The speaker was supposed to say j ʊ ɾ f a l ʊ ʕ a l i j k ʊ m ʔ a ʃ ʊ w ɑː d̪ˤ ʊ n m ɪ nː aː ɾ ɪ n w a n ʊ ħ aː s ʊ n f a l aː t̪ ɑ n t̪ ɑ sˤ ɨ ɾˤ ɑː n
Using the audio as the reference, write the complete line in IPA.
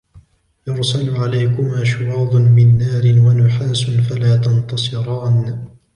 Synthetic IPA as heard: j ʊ ɾ s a l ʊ ʕ a l a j k ʊ m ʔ a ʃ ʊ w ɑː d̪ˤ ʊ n m ɪ nː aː ɾ ɪ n w a n ʊ ħ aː s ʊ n f a l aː t̪ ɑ n t̪ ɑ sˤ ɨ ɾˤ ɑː n